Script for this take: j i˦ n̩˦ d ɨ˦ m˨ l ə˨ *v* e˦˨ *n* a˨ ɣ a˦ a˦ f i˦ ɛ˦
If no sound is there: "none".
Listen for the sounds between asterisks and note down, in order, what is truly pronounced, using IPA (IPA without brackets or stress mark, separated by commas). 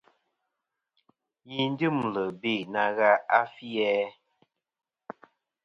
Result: b, n